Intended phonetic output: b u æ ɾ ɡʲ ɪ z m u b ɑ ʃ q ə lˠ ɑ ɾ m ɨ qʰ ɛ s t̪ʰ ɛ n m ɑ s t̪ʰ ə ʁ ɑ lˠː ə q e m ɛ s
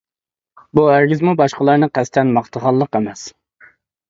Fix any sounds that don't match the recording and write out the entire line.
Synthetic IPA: b u æ ɾ ɡʲ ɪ z m u b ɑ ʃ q ə lˠ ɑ ɾ n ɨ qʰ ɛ s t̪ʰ ɛ n m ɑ χ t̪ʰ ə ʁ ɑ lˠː ə q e m ɛ s